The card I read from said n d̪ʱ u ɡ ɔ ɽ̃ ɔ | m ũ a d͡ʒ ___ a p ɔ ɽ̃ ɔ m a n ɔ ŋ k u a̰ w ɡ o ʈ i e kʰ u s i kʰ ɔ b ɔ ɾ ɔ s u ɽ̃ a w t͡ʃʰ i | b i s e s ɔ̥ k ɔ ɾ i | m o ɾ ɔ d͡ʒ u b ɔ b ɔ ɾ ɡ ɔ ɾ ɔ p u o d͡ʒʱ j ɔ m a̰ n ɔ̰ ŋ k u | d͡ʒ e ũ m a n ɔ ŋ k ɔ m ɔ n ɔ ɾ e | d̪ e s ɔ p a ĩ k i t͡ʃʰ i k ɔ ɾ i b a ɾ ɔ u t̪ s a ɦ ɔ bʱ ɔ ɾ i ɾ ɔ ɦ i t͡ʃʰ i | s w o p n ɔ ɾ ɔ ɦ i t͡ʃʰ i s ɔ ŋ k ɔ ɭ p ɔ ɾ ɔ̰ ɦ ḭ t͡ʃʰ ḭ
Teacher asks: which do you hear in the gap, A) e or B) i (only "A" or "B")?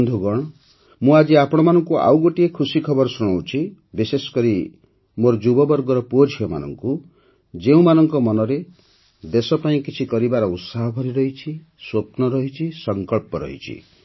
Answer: B